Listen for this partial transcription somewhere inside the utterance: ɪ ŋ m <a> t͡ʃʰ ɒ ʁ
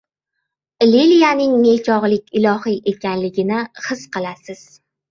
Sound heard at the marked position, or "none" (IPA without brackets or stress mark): e